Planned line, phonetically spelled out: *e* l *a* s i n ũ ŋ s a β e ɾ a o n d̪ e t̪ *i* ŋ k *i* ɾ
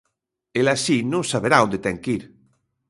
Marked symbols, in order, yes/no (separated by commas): yes, yes, no, yes